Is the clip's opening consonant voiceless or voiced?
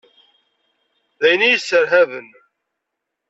voiced